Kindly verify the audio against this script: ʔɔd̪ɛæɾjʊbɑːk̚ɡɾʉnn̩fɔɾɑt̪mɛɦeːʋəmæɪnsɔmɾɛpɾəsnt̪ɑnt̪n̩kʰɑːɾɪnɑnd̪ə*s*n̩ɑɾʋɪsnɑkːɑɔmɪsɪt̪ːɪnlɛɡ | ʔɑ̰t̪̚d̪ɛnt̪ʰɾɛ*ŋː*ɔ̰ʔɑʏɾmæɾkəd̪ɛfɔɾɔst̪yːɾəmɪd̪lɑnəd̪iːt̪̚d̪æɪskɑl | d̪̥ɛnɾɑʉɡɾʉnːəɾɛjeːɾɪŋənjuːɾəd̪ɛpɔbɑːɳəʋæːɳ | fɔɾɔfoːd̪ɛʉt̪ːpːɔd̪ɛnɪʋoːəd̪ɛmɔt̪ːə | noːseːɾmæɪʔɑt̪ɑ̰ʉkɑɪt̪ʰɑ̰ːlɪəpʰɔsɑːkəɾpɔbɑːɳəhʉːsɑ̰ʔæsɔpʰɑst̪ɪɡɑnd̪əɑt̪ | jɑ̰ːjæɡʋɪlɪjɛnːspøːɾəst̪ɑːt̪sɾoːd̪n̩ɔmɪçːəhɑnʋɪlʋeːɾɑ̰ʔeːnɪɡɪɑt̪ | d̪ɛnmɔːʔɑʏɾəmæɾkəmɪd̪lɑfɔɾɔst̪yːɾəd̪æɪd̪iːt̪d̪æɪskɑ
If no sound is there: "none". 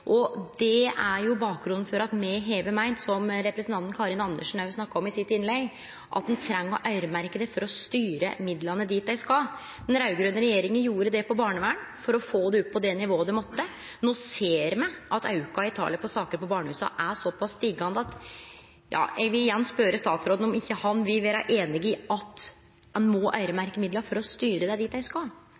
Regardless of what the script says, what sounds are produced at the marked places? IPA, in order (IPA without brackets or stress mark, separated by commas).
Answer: ʂ, ŋː